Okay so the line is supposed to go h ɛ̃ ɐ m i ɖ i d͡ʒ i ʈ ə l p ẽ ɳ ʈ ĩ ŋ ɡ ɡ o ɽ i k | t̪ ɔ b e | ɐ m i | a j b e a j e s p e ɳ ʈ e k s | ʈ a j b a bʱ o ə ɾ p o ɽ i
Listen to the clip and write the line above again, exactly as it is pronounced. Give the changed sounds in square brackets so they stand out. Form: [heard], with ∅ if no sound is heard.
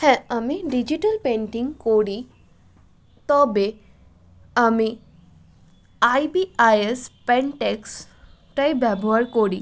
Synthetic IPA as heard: h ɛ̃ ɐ m i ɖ i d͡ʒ i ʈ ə l p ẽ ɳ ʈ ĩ ŋ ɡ [k] o ɽ i [∅] | t̪ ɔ b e | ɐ m i | a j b [i] a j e s p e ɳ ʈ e k s | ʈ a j b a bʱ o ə ɾ [k] o ɽ i

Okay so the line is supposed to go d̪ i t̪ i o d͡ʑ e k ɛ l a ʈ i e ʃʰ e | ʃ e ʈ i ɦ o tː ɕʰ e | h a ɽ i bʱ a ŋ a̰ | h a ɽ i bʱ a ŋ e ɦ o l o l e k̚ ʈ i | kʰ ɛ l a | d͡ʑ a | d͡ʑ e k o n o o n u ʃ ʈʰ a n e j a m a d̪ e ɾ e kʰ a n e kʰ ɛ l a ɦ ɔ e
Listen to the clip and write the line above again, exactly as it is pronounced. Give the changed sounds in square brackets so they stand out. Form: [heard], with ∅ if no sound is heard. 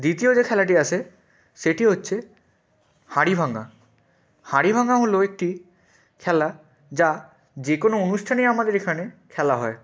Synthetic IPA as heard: d̪ i t̪ i o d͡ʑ e [kʰ] ɛ l a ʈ i [a] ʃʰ e | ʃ e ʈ i ɦ o tː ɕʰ e | h a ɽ i bʱ a ŋ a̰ | h a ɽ i bʱ a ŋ [a] ɦ o l o [∅] e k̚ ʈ i | kʰ ɛ l a | d͡ʑ a | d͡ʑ e k o n o o n u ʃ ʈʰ a n e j a m a d̪ e ɾ e kʰ a n e kʰ ɛ l a ɦ ɔ e

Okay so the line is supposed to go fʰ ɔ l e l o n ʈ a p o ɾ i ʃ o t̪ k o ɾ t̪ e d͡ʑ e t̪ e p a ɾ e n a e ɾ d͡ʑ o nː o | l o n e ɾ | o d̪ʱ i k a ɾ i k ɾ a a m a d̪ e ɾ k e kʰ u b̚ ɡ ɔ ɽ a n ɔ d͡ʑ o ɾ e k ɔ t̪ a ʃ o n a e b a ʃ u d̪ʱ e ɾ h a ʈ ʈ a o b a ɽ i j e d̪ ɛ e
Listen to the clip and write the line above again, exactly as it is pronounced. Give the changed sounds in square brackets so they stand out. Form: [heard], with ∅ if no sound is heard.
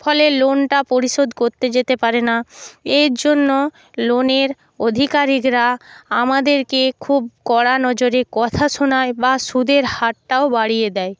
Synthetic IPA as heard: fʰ ɔ l e l o n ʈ a p o ɾ i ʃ o [d̪] k o ɾ t̪ e d͡ʑ e t̪ e p a ɾ e n a e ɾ d͡ʑ o nː o | l o n e ɾ | o d̪ʱ i k a ɾ i k ɾ a a m a d̪ e ɾ k e kʰ u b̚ [k] ɔ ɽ a n ɔ d͡ʑ o ɾ e k ɔ [t̪ʰ] a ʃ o n a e b a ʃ u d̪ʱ e ɾ h a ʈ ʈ a o b a ɽ i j e d̪ ɛ e

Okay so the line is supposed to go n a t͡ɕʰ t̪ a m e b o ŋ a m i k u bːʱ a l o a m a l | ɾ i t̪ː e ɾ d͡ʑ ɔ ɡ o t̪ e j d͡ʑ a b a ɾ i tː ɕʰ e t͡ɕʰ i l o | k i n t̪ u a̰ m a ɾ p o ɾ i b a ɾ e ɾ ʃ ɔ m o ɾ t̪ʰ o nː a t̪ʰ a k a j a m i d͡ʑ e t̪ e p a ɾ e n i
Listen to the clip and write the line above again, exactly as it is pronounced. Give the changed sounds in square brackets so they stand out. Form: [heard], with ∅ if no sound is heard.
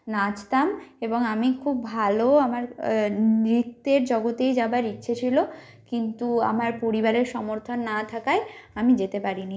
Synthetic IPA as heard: n a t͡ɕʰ t̪ a m e b o ŋ a m i [kʰ] u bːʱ a l o a m a [ɾ] | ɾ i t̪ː e ɾ d͡ʑ ɔ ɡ o t̪ e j d͡ʑ a b a ɾ i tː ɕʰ e t͡ɕʰ i l o | k i n t̪ u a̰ m a ɾ p o ɾ i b a ɾ e ɾ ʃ ɔ m o ɾ t̪ʰ o nː a t̪ʰ a k a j a m i d͡ʑ e t̪ e p a ɾ [i] n i

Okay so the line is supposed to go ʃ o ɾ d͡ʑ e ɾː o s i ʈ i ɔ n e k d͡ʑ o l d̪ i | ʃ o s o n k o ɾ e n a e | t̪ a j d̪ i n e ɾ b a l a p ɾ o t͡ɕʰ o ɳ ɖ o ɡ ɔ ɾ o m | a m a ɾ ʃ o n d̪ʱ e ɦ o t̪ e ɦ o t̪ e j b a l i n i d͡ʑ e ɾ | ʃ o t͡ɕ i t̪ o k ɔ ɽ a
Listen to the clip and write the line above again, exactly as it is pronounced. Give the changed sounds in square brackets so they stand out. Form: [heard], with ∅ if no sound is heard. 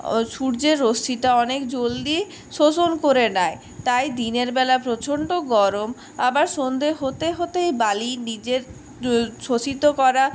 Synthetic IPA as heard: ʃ [u] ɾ d͡ʑ e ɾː o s i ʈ [a] ɔ n e k d͡ʑ o l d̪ i | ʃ o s o n k o ɾ e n a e | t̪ a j d̪ i n e ɾ b [ɛ] l a p ɾ o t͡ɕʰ o ɳ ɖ o ɡ ɔ ɾ o m | a [b] a ɾ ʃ o n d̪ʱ e ɦ o t̪ e ɦ o t̪ e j b a l i n i d͡ʑ e ɾ | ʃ o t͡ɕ i t̪ o k ɔ [ɾ] a

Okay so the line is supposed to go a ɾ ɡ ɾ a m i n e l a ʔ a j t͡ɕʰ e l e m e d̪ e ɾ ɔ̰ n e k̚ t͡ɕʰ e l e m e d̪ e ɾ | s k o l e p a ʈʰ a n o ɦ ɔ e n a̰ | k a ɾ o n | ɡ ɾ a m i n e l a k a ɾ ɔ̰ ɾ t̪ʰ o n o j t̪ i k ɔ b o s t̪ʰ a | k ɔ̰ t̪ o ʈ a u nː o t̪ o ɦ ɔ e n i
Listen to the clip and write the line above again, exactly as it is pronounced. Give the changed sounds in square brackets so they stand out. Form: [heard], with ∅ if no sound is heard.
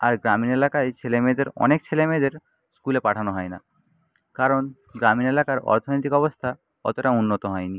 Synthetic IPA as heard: a ɾ ɡ ɾ a m i n e l a [k] a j t͡ɕʰ e l e m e d̪ e ɾ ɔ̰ n e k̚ t͡ɕʰ e l e m e d̪ e ɾ | s k [u] l e p a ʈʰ a n o ɦ ɔ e n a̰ | k a ɾ o n | ɡ ɾ a m i n e l a k a ɾ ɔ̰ ɾ t̪ʰ o n o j t̪ i k ɔ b o s t̪ʰ a | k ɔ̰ t̪ o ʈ a u nː o t̪ o ɦ ɔ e n i

